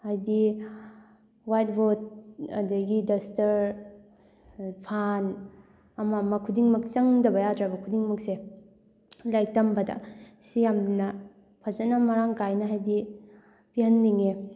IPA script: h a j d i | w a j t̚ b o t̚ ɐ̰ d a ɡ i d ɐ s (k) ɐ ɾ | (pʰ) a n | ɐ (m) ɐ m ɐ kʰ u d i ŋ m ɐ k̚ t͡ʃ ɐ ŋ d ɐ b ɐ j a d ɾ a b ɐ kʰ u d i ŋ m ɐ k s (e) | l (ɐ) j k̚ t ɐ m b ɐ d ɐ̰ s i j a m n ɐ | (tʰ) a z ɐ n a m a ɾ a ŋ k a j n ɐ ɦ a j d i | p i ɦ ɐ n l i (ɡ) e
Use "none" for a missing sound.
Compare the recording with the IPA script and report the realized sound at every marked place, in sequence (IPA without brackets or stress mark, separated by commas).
t, pʰ, m, e, a, pʰ, ŋ